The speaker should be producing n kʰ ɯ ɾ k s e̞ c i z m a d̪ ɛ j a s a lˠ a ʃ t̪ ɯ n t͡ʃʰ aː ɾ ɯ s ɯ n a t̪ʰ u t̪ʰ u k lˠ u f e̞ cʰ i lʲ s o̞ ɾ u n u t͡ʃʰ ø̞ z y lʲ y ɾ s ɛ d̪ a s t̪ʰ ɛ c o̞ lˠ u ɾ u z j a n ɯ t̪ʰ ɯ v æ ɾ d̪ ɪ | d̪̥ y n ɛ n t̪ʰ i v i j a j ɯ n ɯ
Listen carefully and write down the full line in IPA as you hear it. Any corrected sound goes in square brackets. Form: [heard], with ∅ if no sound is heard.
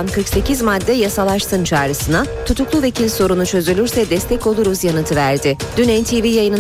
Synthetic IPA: n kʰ ɯ ɾ k s e̞ c i z m a [d̪ː] ɛ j a s a lˠ a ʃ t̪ ɯ n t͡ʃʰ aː ɾ ɯ s ɯ n a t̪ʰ u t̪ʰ u k lˠ u [v] e̞ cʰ i lʲ s o̞ ɾ u n u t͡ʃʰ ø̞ z y lʲ y ɾ s ɛ d̪ [ɛ] s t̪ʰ ɛ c o̞ lˠ u ɾ u z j a n ɯ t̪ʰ ɯ v æ ɾ d̪ ɪ | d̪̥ y n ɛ n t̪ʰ i v i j a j ɯ n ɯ